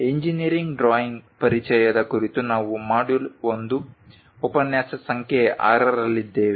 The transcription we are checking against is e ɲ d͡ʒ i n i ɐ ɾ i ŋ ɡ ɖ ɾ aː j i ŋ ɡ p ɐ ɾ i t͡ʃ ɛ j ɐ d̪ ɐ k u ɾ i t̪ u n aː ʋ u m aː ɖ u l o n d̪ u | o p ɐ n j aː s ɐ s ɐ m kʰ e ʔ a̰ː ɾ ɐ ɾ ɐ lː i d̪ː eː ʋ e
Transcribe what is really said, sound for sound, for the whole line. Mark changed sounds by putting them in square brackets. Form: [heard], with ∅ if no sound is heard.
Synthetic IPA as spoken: e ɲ d͡ʒ i n i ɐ ɾ i ŋ ɡ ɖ ɾ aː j i ŋ ɡ p ɐ ɾ i t͡ʃ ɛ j ɐ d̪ ɐ k u ɾ i t̪ u n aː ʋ u m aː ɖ u l o n d̪ u | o p ɐ n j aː s ɐ s ɐ [ŋ] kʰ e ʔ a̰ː ɾ ɐ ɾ ɐ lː i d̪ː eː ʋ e